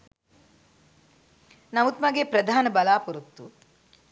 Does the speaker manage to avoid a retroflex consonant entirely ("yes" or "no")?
yes